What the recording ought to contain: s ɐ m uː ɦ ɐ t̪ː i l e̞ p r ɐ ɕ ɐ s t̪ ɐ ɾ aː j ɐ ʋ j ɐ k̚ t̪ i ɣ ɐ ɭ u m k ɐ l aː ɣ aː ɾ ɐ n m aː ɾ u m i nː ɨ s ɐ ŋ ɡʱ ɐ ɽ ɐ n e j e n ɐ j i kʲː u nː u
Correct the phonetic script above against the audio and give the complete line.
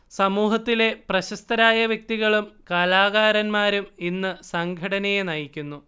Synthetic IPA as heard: s ɐ m uː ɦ ɐ t̪ː i l e̞ p r ɐ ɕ ɐ s t̪ ɐ ɾ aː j ɐ ʋ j ɐ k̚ t̪ i ɣ ɐ ɭ u m k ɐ l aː ɣ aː ɾ ɐ n m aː ɾ u m i nː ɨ s ɐ ŋ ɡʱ ɐ ɽ ɐ n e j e n ɐ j i kʲː u nː u